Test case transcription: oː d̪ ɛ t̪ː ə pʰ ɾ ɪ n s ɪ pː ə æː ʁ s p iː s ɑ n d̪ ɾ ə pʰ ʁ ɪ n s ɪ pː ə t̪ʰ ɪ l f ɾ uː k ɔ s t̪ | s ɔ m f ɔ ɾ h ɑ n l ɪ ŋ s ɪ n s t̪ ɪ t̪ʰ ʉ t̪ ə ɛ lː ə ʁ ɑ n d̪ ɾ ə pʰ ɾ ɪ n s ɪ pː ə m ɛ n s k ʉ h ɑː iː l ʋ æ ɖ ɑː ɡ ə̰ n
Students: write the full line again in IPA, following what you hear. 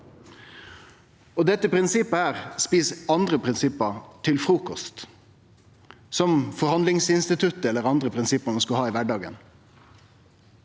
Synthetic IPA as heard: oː d̪ ɛ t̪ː ə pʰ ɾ ɪ n s ɪ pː ə æː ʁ s p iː s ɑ n d̪ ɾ ə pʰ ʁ ɪ n s ɪ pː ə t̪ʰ ɪ l f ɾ uː k ɔ s t̪ | s ɔ m f ɔ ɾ h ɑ n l ɪ ŋ s ɪ n s t̪ ɪ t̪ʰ ʉ t̪ ə ɛ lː ə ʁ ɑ n d̪ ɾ ə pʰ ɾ ɪ n s ɪ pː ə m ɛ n s k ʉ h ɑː iː ʋ æ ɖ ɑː ɡ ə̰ n

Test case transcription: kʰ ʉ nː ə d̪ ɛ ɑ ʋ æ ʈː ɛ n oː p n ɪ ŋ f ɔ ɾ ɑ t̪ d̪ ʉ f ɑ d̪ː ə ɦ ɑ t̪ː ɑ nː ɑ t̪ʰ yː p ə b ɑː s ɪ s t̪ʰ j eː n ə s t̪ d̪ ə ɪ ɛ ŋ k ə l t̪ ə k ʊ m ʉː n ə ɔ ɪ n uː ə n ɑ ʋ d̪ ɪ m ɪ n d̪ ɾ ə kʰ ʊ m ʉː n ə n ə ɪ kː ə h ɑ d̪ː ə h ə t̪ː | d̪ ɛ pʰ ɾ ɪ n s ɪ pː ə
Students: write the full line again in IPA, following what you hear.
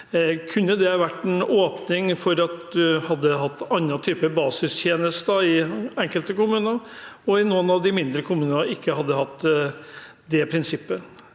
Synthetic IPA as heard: kʰ ʉ nː ə d̪ ɛ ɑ ʋ æ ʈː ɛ n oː p n ɪ ŋ f ɔ ɾ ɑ t̪ d̪ ʉ h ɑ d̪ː ə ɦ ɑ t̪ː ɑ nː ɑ t̪ʰ yː p ə b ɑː s ɪ s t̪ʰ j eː n ə s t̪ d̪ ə ɪ ɛ ŋ k ə l t̪ ə k ʊ m ʉː n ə ɔ ɪ n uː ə n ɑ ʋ d̪ ɪ m ɪ n d̪ ɾ ə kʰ ʊ m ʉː n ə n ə ɪ kː ə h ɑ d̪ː ə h ɑ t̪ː | d̪ ɛ pʰ ɾ ɪ n s ɪ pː ə

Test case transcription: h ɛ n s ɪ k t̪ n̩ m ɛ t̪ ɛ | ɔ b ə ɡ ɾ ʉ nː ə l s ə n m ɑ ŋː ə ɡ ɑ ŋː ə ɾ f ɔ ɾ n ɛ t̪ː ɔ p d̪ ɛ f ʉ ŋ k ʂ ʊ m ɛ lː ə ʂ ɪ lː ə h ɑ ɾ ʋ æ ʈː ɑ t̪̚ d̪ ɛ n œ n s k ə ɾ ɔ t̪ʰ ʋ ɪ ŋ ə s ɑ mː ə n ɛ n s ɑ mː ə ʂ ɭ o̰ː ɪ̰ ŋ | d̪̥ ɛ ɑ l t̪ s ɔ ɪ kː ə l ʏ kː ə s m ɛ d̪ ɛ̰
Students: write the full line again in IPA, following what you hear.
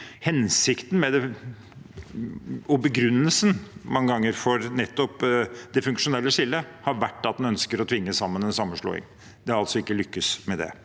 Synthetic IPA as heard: h ɛ n s ɪ k t̪ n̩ m ɛ d̪ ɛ | ɔ b ə ɡ ɾ ʉ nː ə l s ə n m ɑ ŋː ə ɡ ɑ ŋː ə ɾ f ɔ ɾ n ɛ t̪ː ɔ p d̪ ɛ f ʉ ŋ k ʂ ʊ n ɛ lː ə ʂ ɪ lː ə h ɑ ɾ ʋ æ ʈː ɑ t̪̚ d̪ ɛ n œ n s k ə ɾ ɔ t̪ʰ ʋ ɪ ŋː ə s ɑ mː ə n ɛ n s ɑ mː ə ʂ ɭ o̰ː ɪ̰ ŋ | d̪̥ ɛ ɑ l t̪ s ɔ ɪ kː ə l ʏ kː ə s m ɛ d̪ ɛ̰

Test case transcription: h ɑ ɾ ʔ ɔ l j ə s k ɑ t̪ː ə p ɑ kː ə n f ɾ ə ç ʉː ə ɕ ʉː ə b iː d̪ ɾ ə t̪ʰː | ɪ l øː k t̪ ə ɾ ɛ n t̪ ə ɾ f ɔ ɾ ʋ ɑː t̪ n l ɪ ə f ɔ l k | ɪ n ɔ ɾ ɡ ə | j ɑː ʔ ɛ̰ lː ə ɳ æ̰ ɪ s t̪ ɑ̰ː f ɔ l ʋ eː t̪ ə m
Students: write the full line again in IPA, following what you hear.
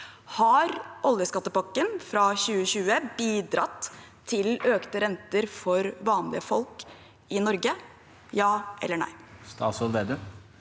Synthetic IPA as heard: h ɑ ɾ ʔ ɔ l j ə s k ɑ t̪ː ə p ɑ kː ə n f ɾ ɑ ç ʉː ə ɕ ʉː ə b iː d̪ ɾ ɑ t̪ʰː | ɪ l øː k t̪ ə ɾ ɛ n t̪ ə ɾ f ɔ ɾ ʋ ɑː n l ɪ ə f ɔ l k | ɪ n ɔ ɾ ɡ ə | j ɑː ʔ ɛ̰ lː ə ɳ æ̰ ɪ s t̪ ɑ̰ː s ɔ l ʋ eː d̪ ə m

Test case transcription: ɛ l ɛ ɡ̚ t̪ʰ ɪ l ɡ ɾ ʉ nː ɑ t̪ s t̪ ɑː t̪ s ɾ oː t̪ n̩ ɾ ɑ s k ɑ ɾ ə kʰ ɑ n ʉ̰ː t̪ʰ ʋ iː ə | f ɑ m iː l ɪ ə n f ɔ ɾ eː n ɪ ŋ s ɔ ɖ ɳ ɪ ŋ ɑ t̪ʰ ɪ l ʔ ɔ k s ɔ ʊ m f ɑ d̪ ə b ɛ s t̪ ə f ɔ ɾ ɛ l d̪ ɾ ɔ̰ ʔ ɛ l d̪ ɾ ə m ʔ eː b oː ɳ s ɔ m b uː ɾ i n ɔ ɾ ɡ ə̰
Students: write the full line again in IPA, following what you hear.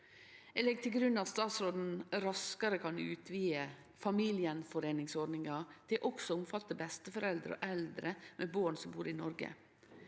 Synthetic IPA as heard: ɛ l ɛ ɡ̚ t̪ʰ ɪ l ɡ ɾ ʉ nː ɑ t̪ s t̪ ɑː t̪ s ɾ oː d̪ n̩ ɾ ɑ s k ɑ ɾ ə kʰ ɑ n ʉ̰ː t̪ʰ ʋ iː ə | f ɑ m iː l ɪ ə n f ɔ ɾ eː n ɪ ŋ s ɔ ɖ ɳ ɪ ŋ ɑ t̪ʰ ɪ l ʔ ɔ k s ɔ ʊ m f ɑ t̪ ə b ɛ s t̪ ə f ɔ ɾ ɛ l d̪ ɾ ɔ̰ ʔ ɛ l d̪ ɾ ə m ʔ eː b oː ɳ s ɔ m b uː ɾ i n ɔ ɾ ɡ ə̰

